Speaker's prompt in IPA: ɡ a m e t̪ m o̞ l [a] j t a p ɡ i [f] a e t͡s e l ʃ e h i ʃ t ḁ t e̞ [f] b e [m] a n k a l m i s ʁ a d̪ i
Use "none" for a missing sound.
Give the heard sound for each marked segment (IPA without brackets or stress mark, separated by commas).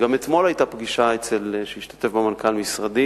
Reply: a, ʃ, f, m